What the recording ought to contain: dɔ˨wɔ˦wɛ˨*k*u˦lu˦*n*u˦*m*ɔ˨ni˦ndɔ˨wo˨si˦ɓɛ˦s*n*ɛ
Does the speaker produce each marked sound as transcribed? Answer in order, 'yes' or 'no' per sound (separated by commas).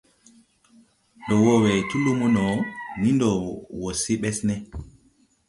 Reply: no, no, no, yes